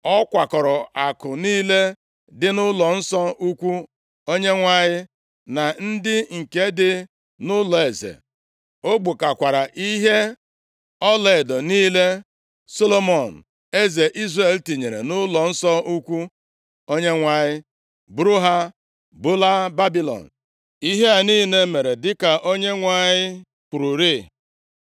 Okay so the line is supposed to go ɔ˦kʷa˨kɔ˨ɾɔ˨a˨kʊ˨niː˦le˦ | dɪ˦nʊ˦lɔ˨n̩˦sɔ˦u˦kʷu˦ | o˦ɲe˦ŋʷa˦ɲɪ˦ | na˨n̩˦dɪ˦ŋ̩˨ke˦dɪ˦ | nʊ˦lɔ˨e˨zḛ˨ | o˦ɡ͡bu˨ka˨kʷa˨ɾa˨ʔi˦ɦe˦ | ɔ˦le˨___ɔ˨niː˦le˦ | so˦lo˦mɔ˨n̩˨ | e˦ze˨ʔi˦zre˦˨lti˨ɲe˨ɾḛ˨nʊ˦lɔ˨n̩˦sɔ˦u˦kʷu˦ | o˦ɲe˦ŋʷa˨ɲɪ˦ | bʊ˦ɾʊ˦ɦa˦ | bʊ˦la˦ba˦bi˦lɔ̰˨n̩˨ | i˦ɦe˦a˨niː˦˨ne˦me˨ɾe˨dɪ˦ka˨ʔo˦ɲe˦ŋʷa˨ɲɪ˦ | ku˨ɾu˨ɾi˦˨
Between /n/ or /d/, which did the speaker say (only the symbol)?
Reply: d